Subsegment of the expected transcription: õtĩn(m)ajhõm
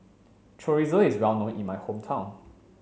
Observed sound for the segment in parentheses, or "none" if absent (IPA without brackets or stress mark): m